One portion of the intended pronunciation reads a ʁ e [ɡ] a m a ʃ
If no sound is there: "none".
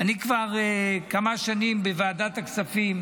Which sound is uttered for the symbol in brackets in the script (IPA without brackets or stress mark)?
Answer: k